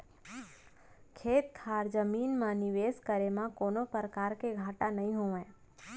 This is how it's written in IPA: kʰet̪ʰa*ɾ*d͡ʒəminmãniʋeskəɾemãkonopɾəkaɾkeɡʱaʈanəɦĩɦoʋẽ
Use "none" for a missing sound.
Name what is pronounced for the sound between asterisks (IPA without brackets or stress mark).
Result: ɾ